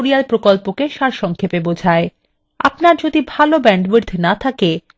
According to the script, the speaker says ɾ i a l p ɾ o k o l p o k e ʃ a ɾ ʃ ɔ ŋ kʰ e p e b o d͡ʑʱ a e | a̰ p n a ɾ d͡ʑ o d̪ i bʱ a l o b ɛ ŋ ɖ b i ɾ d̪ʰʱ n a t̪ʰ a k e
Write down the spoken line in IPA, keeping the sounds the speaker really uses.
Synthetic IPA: ɾ i a l p ɾ o k o l p o k e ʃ a ɾ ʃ ɔ ŋ kʰ e p e b o d͡ʑʱ a e | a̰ p n a ɾ d͡ʑ o d̪ i bʱ a l o b ɛ ɳ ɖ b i ɾ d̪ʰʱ n a t̪ʰ a k e